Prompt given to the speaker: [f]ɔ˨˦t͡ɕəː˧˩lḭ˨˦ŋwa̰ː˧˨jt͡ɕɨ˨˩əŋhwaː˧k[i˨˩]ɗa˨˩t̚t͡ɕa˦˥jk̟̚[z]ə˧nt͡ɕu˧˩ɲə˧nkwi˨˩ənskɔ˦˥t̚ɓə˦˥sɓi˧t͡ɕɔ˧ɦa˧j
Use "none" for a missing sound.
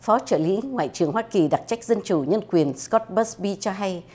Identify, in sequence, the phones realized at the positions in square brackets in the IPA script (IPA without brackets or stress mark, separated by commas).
f, i˨˩, z